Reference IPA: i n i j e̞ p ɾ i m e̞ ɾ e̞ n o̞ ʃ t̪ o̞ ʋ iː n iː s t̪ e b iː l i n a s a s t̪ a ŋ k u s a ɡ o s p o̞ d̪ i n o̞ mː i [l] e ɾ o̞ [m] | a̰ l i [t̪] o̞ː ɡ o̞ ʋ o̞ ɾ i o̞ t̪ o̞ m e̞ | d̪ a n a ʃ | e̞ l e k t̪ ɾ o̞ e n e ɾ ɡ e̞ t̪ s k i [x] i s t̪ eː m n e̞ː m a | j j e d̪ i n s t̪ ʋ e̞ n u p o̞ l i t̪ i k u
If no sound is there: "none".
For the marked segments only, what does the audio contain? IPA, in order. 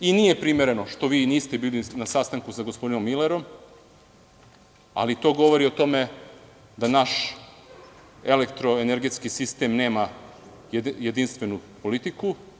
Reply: l, m, t̪, s

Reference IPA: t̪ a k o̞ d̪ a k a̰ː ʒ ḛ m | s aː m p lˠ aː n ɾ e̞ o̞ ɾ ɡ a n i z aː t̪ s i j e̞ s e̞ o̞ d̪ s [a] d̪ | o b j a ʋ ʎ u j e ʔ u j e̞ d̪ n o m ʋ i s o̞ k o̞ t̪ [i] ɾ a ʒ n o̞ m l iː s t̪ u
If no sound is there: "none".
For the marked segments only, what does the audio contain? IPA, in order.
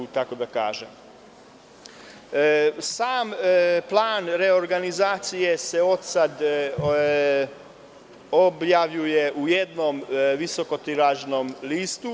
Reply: a, i

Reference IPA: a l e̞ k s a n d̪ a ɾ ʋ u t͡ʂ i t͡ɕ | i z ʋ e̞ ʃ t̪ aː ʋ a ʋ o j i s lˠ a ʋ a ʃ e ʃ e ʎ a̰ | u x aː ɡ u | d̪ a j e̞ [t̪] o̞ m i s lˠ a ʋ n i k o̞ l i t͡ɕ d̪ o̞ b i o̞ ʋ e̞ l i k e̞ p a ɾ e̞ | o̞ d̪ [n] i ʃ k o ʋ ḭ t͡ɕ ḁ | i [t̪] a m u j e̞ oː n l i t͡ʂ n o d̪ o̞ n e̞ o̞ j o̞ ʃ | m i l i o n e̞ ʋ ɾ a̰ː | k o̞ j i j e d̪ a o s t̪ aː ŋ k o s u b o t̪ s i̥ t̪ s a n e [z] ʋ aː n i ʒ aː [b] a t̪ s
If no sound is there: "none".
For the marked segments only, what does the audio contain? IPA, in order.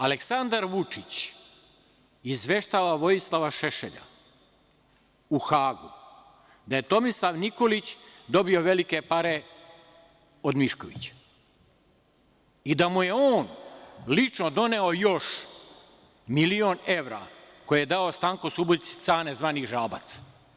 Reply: t̪, m, d̪, z, b

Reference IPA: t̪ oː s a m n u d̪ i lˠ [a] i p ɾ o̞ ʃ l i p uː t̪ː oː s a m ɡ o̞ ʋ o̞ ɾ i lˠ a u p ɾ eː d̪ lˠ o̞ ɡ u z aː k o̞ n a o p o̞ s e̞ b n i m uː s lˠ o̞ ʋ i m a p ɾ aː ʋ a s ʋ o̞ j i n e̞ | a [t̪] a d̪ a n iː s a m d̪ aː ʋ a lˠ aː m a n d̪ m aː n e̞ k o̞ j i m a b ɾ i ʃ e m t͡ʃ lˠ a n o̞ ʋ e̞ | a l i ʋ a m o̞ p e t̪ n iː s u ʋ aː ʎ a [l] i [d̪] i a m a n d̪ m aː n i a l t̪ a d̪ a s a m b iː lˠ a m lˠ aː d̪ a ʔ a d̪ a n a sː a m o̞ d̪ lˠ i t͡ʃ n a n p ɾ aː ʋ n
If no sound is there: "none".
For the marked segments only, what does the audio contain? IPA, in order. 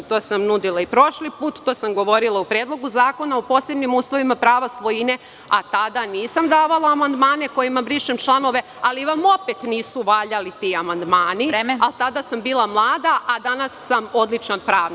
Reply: a, t̪, l, t̪

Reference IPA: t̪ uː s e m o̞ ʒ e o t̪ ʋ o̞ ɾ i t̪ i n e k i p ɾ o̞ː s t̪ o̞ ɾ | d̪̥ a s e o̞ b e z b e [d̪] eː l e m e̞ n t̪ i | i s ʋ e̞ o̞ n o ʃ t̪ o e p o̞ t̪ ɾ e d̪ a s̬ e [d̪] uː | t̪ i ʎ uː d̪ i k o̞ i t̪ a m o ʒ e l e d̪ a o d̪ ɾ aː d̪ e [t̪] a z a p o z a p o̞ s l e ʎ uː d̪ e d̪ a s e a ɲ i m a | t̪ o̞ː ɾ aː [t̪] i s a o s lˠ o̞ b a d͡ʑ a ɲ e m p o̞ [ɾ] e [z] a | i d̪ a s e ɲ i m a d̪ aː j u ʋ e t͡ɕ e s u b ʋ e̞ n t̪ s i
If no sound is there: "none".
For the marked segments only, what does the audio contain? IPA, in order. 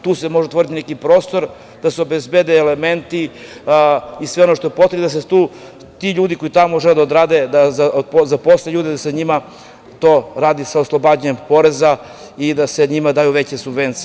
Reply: d̪, t̪, d̪, d̪, ɾ, z

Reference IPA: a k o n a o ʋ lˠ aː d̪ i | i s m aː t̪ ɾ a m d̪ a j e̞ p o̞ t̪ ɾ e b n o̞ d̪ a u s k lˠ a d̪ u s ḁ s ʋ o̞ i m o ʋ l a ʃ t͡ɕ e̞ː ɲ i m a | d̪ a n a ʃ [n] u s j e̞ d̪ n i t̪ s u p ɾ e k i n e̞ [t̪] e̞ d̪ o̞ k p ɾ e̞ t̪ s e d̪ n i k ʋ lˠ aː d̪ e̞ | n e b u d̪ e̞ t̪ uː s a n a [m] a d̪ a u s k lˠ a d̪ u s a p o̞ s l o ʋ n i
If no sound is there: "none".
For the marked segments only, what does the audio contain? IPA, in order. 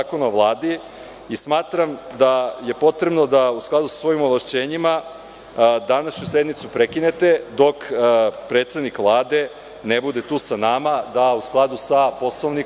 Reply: ɲ, t̪, m

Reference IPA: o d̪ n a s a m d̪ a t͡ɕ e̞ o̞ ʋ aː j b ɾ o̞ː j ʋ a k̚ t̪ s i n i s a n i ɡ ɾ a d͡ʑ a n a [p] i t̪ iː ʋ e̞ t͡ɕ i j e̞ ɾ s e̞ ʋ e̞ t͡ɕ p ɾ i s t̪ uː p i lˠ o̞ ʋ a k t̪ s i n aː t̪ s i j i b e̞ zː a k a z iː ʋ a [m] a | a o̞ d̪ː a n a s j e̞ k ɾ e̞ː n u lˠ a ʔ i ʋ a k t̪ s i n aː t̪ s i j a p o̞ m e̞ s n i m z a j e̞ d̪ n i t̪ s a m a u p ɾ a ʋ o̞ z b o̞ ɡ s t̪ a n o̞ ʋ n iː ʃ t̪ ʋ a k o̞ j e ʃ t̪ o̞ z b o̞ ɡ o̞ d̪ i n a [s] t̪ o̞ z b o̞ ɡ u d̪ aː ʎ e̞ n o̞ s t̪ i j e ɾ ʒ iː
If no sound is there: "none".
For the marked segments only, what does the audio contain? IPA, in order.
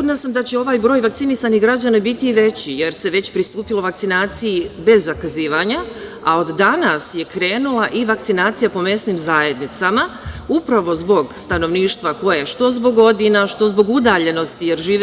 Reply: b, ɲ, ʃ

